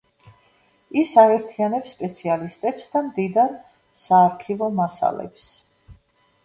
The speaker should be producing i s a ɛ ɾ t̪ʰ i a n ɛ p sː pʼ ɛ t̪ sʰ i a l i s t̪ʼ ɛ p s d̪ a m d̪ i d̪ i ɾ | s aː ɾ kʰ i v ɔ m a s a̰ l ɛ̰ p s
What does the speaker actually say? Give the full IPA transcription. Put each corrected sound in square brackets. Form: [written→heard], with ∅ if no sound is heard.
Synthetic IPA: i s a ɛ ɾ t̪ʰ i a n ɛ p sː pʼ ɛ t̪ sʰ i a l i s t̪ʼ ɛ p s d̪ a m d̪ i d̪ [i→a] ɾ | s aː ɾ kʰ i v ɔ m a s a̰ l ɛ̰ p s